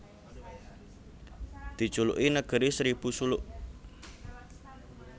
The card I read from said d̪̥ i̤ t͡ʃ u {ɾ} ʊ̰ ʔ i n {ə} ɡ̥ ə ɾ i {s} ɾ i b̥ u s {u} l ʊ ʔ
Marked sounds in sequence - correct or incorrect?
incorrect, correct, correct, correct

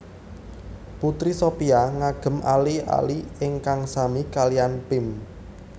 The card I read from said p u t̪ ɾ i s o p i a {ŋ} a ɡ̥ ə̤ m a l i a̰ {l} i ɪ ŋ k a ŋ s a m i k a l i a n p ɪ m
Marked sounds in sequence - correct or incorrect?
correct, correct

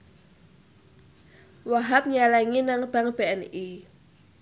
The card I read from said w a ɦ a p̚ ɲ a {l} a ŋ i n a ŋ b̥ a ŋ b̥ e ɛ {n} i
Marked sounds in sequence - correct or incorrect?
correct, correct

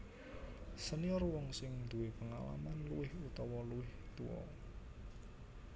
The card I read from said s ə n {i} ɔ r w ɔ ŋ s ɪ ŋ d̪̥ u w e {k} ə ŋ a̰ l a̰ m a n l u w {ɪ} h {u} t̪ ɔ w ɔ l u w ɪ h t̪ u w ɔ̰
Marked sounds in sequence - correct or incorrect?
correct, incorrect, correct, correct

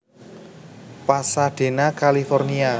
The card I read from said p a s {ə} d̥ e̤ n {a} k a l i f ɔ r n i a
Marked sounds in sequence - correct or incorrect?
incorrect, correct

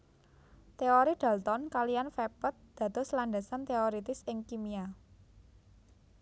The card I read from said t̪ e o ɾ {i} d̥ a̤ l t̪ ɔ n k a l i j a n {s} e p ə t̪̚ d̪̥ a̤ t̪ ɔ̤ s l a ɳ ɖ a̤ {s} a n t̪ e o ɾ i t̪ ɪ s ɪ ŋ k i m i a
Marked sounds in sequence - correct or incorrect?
correct, incorrect, correct

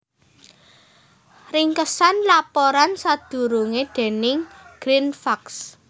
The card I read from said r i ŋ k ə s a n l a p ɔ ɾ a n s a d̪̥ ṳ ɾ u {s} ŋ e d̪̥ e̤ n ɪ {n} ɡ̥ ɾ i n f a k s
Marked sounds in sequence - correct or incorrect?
incorrect, incorrect

